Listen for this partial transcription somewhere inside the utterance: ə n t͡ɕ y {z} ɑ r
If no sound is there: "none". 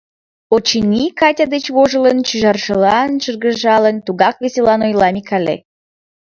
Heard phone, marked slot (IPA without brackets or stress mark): ʒ